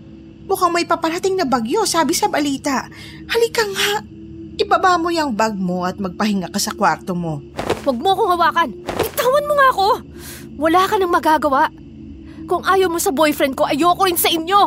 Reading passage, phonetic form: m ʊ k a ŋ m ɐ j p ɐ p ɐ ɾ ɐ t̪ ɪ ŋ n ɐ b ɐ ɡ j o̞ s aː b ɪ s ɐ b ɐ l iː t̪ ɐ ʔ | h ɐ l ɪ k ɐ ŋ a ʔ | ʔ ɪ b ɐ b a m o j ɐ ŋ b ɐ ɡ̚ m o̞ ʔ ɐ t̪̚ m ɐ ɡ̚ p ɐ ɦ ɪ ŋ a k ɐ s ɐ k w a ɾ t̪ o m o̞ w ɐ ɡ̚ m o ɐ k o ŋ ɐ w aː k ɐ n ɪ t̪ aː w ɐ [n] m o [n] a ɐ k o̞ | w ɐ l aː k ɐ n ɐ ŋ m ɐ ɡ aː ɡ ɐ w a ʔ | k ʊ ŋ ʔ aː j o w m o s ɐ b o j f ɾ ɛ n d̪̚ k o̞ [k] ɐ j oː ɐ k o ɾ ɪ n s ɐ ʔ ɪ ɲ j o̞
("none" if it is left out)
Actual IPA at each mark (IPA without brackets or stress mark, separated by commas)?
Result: n, ŋ, ʔ